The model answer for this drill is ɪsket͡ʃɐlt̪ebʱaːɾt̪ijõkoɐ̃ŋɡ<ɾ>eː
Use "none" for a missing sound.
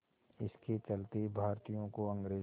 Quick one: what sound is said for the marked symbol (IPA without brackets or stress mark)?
ɾ